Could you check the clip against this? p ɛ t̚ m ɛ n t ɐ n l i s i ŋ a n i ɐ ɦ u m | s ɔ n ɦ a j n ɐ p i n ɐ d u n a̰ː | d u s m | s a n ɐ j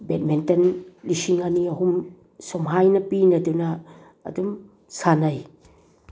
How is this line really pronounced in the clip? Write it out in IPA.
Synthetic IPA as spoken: b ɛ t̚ m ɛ n t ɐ n l i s i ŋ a n i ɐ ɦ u m | s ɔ m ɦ a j n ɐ p i n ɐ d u n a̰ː | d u m | s a n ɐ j

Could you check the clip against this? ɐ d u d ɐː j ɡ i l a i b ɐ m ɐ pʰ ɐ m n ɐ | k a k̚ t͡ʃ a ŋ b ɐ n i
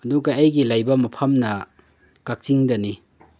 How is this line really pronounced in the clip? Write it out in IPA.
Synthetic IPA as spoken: ɐ d u ɡ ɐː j ɡ i l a j b ɐ m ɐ pʰ ɐ m n ɐ | k a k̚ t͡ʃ i ŋ d ɐ n i

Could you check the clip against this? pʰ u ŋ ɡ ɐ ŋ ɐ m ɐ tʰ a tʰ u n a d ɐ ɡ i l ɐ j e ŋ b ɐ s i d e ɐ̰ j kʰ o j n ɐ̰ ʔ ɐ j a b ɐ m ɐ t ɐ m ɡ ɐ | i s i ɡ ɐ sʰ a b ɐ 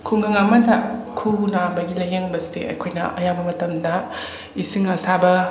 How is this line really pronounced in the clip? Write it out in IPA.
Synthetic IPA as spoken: kʰ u ŋ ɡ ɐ ŋ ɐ m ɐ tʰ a kʰ u n a b ɐ ɡ i l ɐ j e ŋ b ɐ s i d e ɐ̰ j kʰ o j n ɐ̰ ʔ ɐ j a b ɐ m ɐ t ɐ m d ɐ | i s i ŋ ɐ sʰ a b ɐ

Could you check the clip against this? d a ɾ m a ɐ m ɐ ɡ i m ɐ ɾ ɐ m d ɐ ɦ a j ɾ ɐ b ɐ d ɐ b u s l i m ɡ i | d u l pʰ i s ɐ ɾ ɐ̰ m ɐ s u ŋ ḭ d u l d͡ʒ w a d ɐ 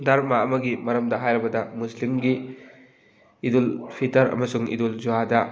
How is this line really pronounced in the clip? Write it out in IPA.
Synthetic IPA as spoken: d a ɾ m a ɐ m ɐ ɡ i m ɐ ɾ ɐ m d ɐ ɦ a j ɾ ɐ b ɐ d ɐ m u s l i m ɡ i | d u l pʰ i t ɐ ɾ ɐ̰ m ɐ s u ŋ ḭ d u l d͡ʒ u a d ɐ

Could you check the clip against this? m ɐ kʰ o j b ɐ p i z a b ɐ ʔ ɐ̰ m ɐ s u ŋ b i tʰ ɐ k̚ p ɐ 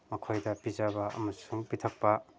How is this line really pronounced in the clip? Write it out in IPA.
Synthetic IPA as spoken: m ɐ kʰ o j d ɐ p i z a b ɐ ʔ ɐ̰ m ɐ s u ŋ p i tʰ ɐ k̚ p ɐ

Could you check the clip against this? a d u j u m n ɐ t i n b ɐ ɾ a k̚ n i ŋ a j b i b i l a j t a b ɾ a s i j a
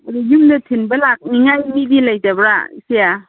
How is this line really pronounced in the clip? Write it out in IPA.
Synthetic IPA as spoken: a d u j u m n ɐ tʰ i n b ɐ l a k̚ n i ŋ a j m i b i l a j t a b ɾ a s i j a

